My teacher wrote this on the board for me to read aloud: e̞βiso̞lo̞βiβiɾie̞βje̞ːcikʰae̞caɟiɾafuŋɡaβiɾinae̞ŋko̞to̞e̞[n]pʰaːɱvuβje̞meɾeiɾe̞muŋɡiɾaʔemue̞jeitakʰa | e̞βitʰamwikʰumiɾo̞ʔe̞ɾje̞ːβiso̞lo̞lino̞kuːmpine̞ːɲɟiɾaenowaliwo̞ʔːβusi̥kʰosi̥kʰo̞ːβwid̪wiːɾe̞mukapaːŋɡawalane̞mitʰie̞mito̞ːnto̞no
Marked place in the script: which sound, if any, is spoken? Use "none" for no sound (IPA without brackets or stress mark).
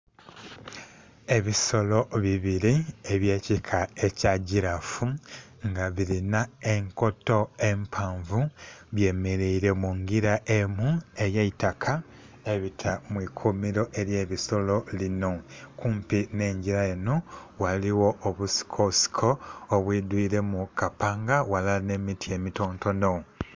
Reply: m